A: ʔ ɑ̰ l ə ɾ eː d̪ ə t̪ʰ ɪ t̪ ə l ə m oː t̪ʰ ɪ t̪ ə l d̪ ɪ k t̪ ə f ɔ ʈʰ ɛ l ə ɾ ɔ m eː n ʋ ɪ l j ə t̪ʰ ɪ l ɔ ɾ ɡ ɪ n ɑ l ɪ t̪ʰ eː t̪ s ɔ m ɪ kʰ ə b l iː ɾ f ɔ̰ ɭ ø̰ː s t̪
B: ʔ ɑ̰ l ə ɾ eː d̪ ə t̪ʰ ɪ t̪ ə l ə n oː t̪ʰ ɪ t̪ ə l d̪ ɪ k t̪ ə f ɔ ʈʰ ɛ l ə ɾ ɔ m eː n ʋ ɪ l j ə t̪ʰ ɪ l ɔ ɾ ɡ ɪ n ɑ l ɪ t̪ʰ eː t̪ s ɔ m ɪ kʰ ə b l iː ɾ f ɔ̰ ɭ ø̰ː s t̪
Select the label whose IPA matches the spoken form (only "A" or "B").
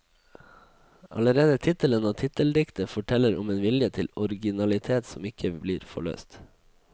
B